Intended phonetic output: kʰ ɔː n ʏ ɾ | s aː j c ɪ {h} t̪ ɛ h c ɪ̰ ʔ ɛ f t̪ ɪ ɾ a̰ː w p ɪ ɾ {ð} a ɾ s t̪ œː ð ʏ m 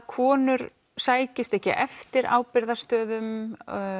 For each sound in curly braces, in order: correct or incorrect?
incorrect: s, correct

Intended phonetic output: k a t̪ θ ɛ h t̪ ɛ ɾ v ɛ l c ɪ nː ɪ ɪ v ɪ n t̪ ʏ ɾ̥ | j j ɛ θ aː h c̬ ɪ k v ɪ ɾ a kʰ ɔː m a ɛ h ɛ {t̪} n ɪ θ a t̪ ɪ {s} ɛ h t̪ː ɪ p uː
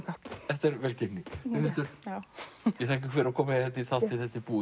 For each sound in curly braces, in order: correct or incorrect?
correct, incorrect: θ

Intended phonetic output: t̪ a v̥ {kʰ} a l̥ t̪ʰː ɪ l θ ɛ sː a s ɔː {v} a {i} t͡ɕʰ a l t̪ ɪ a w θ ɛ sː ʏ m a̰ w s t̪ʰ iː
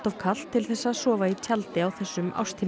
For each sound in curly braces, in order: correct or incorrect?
correct, correct, correct

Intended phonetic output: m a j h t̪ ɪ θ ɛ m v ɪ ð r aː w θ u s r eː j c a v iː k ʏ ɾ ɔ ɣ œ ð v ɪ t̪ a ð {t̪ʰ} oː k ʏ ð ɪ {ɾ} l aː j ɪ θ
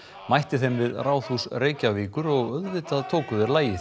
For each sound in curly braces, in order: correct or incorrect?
correct, correct

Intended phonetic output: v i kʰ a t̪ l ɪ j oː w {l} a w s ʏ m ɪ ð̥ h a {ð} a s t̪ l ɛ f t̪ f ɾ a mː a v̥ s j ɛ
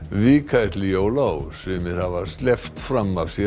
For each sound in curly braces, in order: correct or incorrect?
correct, incorrect: v

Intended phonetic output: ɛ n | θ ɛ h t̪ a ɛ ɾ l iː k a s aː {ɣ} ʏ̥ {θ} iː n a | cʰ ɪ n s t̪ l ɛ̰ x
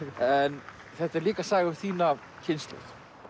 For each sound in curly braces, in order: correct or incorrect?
correct, correct

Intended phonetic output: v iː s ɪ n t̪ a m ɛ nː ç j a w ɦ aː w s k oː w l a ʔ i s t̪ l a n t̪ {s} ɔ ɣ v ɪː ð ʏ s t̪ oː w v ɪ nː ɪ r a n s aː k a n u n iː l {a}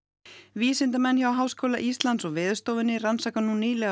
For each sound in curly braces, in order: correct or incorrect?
correct, incorrect: ɛ

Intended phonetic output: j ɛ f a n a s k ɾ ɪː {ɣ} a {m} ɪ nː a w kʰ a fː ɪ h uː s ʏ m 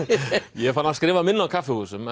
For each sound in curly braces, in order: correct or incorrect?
incorrect: v, correct

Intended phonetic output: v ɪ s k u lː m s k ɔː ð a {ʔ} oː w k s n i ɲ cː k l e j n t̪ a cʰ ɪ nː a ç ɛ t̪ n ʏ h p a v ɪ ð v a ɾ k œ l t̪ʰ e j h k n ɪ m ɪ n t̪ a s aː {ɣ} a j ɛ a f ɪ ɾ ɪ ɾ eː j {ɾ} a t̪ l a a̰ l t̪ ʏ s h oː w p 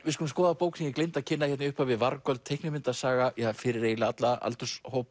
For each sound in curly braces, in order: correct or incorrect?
incorrect: p, correct, incorrect: l

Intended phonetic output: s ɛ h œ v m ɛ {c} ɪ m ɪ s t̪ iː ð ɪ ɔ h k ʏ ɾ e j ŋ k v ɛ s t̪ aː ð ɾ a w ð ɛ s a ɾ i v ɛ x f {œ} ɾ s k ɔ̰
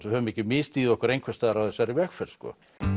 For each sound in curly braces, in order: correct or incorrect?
correct, incorrect: ɛ

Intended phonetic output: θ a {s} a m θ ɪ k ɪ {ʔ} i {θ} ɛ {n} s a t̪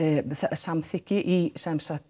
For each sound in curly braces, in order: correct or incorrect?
correct, correct, incorrect: s, incorrect: m

